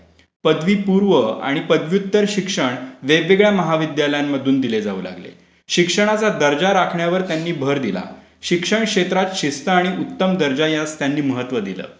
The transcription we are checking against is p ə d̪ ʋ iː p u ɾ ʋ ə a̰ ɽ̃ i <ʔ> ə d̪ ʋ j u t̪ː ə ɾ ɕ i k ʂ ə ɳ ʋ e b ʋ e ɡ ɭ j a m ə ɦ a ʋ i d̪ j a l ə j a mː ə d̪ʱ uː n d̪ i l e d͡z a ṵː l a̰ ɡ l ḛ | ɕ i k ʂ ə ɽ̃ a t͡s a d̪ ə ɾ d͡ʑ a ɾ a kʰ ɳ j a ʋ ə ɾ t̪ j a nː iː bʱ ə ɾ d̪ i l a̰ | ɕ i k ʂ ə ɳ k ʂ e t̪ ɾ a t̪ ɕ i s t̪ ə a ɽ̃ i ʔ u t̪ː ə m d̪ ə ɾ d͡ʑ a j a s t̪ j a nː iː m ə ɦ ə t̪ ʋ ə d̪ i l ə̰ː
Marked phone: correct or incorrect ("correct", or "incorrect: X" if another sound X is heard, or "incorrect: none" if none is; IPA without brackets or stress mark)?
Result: incorrect: p